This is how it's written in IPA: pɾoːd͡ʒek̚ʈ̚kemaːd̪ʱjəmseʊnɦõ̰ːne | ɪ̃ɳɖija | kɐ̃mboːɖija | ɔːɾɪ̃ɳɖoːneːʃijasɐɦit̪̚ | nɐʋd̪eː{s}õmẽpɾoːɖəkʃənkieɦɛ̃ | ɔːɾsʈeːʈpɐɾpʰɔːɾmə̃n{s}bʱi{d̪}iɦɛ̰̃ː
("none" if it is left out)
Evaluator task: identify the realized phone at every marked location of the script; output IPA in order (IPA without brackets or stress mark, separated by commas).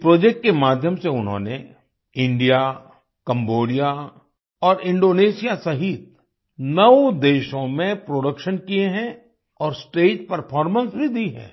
ʃ, s, d̪